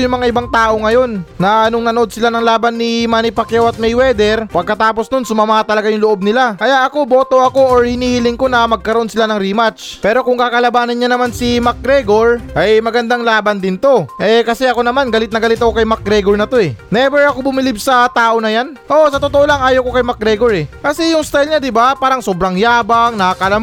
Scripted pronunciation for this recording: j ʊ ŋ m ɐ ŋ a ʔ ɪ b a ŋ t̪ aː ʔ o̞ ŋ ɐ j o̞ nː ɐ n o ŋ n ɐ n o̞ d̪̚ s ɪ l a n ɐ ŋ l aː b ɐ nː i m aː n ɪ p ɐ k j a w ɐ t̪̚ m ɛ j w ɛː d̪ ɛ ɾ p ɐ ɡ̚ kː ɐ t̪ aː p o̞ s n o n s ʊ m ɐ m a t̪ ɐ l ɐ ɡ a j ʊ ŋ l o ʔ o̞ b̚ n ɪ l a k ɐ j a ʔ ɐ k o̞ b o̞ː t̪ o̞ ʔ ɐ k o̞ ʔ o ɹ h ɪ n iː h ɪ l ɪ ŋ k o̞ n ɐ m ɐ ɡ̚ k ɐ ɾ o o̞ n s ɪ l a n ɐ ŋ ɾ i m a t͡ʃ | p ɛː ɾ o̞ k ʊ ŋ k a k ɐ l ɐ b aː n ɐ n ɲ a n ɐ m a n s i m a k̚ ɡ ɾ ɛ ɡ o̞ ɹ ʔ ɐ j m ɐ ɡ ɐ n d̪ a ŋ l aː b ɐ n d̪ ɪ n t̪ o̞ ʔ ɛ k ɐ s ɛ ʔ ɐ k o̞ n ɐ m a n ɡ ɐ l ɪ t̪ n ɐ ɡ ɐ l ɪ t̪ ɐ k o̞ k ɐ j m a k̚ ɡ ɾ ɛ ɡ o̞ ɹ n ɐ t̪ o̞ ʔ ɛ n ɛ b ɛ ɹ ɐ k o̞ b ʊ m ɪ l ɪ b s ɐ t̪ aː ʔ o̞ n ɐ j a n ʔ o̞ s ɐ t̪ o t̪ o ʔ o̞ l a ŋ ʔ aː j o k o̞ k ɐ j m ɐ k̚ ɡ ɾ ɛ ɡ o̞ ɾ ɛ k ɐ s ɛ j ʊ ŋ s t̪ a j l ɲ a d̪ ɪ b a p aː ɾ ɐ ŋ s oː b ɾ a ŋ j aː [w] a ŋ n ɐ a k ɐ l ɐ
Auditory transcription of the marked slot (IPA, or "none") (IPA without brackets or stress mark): b